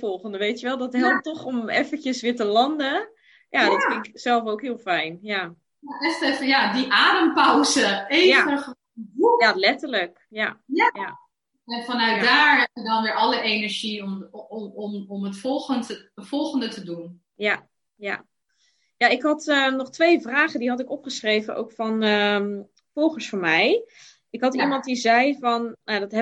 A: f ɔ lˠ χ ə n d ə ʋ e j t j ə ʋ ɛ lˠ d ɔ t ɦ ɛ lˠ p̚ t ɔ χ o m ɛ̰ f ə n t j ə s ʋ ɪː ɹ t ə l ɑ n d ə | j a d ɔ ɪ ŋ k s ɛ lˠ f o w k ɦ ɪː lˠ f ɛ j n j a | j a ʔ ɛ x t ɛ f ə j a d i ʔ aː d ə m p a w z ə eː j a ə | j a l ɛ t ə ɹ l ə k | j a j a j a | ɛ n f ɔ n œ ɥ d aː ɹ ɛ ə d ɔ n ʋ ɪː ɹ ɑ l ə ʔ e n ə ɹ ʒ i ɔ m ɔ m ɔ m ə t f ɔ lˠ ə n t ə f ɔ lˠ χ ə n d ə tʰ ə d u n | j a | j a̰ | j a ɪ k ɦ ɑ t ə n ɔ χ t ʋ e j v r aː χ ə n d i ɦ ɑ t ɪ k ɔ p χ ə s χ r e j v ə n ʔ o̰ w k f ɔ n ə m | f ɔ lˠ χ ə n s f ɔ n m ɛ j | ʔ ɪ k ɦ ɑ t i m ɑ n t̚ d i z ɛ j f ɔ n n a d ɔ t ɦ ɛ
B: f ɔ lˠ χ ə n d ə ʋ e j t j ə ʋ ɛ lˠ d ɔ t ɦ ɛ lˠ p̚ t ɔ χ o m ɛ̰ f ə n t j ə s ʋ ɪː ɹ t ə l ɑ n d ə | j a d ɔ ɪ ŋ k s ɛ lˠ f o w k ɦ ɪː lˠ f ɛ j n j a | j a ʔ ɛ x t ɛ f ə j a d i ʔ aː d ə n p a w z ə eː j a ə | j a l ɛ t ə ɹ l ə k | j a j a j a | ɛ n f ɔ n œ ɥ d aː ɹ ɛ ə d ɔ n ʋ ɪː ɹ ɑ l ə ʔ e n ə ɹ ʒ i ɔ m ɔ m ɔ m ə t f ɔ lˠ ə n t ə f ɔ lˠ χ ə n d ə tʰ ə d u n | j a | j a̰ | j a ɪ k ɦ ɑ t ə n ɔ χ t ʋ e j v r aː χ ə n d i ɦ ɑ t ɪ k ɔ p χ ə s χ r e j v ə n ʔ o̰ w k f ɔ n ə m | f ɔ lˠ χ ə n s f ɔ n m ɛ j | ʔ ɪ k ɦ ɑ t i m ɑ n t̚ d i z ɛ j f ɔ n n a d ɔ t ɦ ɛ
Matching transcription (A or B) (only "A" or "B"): A